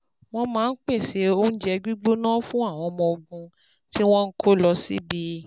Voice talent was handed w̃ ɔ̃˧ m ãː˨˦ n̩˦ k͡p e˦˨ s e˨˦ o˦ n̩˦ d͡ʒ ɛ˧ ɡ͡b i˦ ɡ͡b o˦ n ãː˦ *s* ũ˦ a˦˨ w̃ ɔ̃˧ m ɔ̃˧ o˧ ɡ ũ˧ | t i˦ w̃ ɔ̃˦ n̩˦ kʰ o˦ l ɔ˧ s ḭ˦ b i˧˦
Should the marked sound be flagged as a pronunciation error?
yes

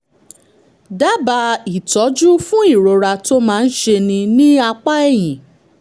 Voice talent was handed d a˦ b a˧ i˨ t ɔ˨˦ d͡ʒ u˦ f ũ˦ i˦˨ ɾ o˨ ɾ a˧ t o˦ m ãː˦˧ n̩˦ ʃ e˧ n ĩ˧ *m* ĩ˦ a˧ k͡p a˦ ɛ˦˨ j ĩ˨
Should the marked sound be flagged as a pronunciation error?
yes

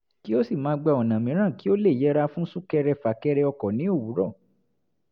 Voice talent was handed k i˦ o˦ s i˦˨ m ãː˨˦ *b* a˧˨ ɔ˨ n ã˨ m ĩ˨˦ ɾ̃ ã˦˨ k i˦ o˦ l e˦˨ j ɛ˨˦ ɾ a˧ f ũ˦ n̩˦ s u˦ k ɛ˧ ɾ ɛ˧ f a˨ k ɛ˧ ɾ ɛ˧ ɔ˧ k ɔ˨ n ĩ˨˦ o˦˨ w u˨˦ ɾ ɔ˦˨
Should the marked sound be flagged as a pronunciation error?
yes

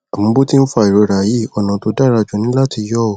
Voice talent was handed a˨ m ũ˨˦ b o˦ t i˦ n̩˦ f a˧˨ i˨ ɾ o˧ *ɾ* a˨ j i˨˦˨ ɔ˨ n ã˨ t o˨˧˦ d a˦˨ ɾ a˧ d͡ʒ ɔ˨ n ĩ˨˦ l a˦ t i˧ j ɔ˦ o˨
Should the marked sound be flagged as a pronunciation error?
no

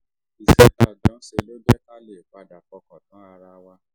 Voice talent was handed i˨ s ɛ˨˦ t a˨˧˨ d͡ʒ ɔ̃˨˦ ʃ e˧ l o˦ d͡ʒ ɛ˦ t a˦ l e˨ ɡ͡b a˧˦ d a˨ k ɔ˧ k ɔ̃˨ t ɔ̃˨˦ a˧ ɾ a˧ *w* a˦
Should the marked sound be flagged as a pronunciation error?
no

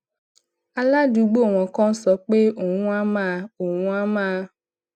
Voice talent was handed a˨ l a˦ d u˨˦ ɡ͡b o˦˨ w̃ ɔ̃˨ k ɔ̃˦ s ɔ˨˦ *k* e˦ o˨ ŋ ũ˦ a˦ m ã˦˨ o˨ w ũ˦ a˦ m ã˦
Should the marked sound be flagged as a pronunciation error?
yes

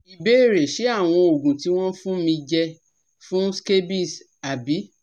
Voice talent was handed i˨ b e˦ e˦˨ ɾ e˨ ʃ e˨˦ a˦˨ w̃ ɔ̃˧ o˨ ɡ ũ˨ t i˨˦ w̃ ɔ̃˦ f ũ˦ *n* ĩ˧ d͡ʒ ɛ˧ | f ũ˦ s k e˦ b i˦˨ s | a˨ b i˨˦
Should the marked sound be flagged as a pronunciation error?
yes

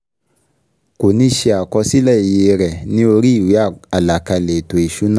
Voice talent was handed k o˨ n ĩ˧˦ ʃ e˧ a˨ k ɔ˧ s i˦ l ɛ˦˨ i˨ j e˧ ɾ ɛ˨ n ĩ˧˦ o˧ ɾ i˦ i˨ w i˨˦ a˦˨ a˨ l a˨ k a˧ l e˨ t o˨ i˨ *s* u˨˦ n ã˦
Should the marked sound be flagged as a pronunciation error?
yes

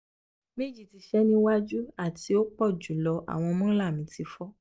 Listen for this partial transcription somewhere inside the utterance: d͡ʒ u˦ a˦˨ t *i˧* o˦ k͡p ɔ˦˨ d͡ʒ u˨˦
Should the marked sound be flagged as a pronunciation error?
no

